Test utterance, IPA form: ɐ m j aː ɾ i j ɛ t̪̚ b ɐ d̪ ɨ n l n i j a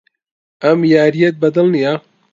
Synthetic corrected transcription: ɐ m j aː ɾ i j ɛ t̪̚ b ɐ d̪ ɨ l n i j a